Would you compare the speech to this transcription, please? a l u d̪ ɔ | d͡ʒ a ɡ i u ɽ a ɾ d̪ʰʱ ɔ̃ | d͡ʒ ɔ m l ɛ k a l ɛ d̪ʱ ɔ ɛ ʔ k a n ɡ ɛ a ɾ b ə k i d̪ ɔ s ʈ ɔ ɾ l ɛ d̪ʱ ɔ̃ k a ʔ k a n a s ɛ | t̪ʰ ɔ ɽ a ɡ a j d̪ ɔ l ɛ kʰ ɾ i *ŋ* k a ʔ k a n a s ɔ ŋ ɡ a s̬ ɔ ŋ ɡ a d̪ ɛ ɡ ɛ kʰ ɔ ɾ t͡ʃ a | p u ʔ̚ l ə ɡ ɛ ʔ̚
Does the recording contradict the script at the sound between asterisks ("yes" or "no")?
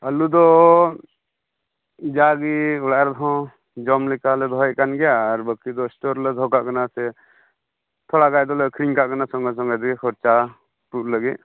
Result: no